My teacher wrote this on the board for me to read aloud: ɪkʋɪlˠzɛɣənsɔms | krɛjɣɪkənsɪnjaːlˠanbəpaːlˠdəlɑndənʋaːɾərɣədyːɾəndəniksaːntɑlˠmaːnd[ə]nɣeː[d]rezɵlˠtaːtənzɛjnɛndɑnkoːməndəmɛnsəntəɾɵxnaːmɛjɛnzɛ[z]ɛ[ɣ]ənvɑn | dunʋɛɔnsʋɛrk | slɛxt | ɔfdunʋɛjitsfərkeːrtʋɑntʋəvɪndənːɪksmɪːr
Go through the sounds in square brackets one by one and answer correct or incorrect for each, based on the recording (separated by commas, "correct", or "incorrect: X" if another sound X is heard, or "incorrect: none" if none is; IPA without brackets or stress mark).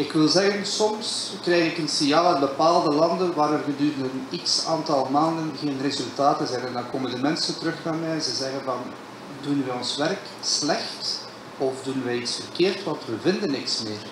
correct, incorrect: n, correct, correct